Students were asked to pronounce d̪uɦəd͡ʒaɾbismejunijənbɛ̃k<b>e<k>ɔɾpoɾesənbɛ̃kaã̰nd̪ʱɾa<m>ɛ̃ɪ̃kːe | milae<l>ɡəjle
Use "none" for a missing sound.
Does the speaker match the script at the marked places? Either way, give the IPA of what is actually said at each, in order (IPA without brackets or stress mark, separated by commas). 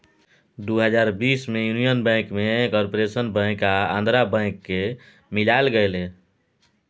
m, k, b, l